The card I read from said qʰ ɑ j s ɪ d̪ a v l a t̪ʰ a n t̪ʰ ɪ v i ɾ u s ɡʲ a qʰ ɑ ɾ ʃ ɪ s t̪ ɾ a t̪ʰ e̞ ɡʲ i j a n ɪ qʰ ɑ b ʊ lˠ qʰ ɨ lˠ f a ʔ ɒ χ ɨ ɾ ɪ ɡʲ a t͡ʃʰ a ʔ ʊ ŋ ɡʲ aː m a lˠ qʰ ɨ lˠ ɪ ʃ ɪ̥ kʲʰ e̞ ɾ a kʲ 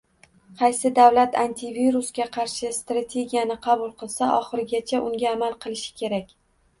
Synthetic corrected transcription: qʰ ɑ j s ɪ d̪ a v l a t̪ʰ a n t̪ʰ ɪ v i ɾ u s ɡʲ a qʰ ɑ ɾ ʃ ɪ s t̪ ɾ a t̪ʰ e̞ ɡʲ i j a n ɪ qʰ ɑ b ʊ lˠ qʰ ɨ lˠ s a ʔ ɒ χ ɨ ɾ ɪ ɡʲ a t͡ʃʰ a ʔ ʊ ŋ ɡʲ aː m a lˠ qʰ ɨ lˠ ɪ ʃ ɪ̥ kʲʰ e̞ ɾ a kʲ

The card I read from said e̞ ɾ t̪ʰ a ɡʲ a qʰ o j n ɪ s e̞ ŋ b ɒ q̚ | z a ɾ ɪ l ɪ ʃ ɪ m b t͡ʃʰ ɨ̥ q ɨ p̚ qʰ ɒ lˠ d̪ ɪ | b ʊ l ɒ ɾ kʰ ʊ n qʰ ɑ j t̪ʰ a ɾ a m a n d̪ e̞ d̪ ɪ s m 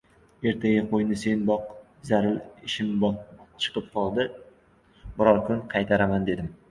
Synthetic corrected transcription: e̞ ɾ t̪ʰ a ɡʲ a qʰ o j n ɪ s e̞ n b ɒ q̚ | z a ɾ ɪ l ɪ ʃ ɪ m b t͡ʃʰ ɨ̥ q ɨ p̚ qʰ ɒ lˠ d̪ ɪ | b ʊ ɾ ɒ ɾ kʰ ʊ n qʰ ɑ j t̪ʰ a ɾ a m a n d̪ e̞ d̪ ɪ m

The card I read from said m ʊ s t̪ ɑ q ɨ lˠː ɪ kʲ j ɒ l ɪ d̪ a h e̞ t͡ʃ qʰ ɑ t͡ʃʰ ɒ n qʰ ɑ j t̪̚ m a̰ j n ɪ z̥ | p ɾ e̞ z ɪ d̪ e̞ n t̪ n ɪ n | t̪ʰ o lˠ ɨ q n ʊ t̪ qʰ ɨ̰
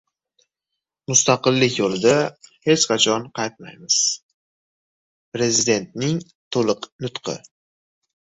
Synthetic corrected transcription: m ʊ s t̪ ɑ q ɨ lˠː ɪ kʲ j o l ɪ d̪ a h e̞ t͡ʃ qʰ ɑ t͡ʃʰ ɒ n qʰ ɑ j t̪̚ m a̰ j m ɪ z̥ | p ɾ e̞ z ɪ d̪ e̞ n t̪ n ɪ ŋ | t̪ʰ o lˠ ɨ q n ʊ t̪ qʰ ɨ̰

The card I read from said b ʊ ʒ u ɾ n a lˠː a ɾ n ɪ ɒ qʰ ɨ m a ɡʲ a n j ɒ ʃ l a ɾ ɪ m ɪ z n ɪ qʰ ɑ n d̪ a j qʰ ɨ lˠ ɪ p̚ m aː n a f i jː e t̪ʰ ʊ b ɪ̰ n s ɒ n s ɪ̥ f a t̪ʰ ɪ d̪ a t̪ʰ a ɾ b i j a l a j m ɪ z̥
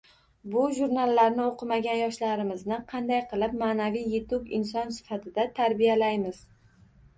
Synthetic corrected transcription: b ʊ ʒ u ɾ n a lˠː a ɾ n ɪ o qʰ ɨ m a ɡʲ a n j ɒ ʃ l a ɾ ɪ m ɪ z n ɪ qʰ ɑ n d̪ a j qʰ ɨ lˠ ɪ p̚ m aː n a v i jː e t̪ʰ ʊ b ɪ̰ n s ɒ n s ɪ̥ f a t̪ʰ ɪ d̪ a t̪ʰ a ɾ b i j a l a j m ɪ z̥

